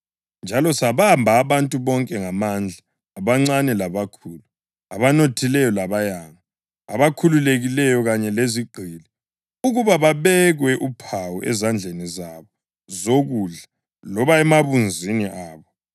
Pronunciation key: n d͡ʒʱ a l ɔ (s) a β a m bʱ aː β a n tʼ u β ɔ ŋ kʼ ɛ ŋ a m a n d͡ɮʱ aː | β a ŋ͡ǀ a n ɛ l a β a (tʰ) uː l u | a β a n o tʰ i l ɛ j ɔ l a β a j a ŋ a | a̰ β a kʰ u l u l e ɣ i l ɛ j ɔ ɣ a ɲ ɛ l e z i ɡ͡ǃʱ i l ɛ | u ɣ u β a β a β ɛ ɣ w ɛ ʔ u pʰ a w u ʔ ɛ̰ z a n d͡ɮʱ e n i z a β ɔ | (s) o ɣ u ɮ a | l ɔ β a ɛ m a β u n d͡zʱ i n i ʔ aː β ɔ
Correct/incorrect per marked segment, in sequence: correct, incorrect: kʰ, incorrect: z

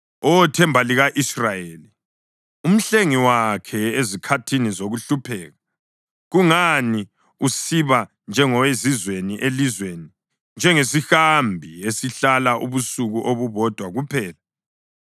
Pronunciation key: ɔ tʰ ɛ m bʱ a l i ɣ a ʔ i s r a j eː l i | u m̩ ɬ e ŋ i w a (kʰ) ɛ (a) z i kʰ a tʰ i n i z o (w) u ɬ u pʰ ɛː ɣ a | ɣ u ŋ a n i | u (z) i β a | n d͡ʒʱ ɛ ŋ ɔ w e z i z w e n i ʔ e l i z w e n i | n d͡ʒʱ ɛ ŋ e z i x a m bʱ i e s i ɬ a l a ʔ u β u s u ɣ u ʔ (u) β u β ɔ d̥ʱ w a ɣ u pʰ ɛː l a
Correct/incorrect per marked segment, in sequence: correct, incorrect: e, incorrect: ɣ, incorrect: s, incorrect: o

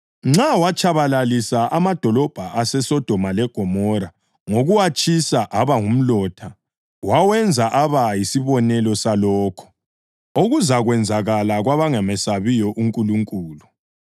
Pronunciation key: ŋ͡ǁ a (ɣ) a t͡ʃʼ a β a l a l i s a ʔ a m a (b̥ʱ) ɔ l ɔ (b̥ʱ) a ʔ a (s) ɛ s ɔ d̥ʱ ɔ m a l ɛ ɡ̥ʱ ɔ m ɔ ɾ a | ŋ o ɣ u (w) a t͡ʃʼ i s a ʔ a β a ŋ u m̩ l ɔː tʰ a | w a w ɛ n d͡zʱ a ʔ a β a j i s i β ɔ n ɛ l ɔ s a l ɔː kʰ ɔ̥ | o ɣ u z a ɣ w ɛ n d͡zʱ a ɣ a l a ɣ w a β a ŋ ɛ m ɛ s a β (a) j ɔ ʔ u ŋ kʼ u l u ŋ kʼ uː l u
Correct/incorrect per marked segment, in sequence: incorrect: w, incorrect: d̥ʱ, correct, correct, correct, incorrect: i

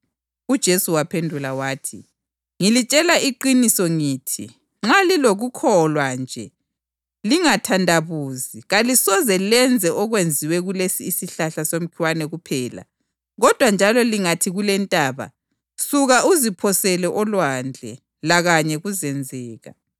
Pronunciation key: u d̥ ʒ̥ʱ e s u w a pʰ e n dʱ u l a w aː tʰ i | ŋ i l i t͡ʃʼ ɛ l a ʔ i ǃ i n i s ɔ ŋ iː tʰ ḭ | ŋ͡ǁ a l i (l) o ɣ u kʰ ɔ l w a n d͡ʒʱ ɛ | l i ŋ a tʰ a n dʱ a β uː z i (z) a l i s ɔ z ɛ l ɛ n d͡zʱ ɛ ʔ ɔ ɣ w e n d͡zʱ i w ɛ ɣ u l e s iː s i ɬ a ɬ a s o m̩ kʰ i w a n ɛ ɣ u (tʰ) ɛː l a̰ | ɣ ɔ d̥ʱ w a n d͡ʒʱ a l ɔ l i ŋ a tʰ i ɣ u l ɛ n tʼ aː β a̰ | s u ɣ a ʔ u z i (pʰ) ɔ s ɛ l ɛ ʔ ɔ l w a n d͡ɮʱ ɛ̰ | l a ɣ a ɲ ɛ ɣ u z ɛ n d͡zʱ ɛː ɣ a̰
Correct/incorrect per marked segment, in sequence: correct, incorrect: ɣ, incorrect: pʰ, correct

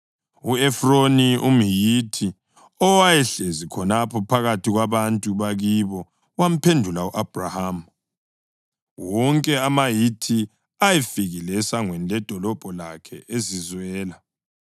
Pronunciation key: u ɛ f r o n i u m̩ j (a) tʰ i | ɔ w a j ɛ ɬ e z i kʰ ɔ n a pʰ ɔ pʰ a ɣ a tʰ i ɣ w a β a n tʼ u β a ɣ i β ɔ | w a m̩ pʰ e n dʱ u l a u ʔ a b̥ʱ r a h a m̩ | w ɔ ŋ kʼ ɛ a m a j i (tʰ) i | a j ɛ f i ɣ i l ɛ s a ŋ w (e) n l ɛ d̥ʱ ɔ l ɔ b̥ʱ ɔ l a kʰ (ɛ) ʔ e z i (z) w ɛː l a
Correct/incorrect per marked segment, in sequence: incorrect: i, correct, incorrect: ɛ, correct, correct

